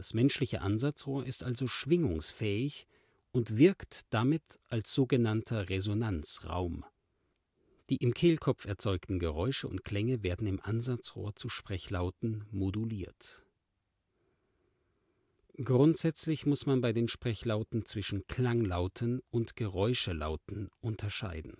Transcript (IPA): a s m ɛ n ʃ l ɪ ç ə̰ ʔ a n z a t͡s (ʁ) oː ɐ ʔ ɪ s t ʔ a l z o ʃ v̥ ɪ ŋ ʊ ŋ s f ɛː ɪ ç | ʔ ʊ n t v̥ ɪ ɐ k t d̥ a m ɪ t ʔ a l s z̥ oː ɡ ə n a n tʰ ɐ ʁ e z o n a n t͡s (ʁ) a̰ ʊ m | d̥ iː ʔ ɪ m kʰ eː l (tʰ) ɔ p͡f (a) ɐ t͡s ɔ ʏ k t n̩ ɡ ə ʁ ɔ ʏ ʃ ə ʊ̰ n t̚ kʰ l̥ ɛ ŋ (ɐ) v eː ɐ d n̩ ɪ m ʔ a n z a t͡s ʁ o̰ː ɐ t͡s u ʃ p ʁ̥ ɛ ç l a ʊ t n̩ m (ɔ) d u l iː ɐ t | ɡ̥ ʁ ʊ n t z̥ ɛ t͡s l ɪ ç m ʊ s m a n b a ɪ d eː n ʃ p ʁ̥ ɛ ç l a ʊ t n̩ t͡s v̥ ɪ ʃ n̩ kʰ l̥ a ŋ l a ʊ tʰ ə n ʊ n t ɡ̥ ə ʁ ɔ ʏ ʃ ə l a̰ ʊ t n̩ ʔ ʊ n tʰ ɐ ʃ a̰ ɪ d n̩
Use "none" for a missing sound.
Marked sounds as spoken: ʁ, ʁ, kʰ, ɛ, ə, o

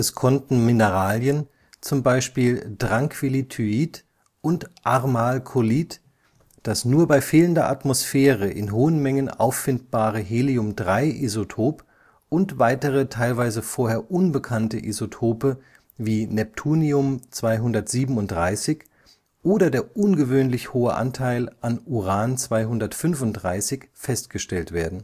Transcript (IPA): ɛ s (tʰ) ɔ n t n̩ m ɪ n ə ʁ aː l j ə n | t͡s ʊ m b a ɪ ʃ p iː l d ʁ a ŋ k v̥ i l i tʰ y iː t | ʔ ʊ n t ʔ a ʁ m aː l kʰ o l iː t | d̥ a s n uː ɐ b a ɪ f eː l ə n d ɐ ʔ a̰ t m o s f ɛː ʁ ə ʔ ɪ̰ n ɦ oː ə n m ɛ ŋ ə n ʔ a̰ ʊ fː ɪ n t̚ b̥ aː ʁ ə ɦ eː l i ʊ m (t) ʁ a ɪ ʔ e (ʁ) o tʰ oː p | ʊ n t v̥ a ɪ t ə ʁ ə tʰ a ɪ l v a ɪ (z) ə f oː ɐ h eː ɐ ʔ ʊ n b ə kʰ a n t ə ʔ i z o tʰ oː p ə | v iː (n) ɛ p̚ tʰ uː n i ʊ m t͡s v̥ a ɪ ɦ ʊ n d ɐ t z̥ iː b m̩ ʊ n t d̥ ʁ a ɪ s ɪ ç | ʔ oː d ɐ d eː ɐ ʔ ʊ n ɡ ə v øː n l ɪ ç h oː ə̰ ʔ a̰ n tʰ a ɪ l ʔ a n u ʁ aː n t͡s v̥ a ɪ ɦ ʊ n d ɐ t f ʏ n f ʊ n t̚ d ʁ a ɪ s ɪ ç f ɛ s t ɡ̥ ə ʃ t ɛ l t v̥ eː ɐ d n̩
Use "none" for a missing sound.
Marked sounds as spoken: kʰ, d, z, z, n

